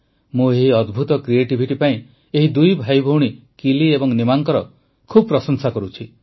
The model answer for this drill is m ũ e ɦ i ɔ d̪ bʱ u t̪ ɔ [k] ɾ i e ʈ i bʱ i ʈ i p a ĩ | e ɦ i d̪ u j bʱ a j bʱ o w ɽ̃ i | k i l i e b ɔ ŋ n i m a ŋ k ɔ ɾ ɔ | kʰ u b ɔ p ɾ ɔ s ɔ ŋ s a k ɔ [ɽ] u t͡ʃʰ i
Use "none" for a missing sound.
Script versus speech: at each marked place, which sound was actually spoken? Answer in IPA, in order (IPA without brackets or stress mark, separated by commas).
k, ɾ